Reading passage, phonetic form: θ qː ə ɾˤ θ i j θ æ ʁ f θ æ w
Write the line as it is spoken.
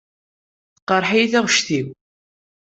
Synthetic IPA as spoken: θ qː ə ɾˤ ħ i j θ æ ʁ ʃ θ i w